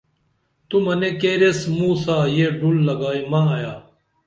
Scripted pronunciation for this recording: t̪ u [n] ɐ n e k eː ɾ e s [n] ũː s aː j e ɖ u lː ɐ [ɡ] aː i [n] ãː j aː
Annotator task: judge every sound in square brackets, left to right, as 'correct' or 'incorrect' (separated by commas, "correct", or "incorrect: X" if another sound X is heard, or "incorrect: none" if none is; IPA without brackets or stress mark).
incorrect: m, incorrect: m, correct, incorrect: m